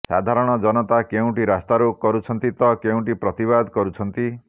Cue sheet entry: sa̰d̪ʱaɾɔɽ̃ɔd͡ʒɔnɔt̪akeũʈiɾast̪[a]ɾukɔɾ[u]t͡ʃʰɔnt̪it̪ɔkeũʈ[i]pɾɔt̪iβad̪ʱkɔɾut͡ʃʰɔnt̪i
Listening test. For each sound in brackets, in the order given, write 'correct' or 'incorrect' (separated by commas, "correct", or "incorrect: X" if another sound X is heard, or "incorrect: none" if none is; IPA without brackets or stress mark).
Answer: correct, correct, correct